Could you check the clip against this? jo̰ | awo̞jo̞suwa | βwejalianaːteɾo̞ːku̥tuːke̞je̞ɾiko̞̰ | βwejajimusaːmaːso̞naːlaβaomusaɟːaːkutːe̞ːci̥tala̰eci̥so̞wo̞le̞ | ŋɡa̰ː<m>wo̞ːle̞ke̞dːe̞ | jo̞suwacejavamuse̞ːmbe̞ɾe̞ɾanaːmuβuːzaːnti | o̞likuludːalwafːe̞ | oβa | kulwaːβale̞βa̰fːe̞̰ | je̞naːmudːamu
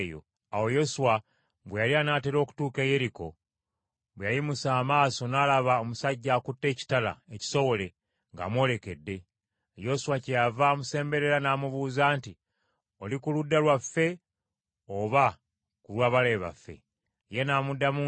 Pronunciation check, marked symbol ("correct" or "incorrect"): correct